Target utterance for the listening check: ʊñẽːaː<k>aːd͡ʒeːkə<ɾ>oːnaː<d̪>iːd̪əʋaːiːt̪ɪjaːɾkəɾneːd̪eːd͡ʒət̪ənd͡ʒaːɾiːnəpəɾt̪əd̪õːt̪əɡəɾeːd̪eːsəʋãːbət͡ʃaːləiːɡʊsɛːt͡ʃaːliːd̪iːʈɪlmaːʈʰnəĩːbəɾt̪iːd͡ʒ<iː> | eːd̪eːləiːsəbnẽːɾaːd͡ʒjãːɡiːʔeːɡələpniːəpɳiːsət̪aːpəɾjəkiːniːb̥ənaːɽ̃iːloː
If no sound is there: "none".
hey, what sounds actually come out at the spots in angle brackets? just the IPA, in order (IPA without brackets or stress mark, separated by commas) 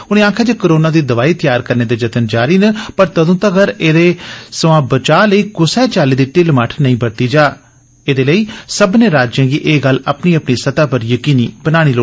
kʰ, ɾ, d̪, aː